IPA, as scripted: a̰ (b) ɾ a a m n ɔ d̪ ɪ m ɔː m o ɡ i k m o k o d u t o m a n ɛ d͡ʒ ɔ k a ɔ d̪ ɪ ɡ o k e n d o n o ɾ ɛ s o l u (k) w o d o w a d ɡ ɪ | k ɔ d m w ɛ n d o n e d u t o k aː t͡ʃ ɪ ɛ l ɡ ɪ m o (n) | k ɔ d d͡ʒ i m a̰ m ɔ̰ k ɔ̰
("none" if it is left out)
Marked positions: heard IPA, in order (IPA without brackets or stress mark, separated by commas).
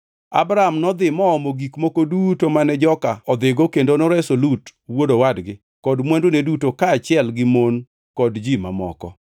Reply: b, t, n